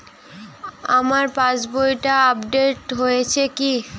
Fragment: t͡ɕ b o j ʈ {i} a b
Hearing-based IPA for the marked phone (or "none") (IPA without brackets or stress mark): a